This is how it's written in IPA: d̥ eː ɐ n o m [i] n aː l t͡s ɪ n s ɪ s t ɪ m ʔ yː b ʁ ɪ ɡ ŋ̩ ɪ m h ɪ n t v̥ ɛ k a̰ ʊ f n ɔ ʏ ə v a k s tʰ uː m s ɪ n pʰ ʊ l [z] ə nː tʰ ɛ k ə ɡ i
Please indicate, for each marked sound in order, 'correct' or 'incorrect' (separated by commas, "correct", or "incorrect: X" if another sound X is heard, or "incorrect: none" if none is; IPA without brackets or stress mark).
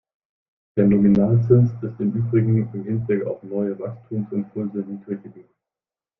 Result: correct, correct